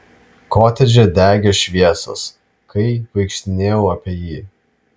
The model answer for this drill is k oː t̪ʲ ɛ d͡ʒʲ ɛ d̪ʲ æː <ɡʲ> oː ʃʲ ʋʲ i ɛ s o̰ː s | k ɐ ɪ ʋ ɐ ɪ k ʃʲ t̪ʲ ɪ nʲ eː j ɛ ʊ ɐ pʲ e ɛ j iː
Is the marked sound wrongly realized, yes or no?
no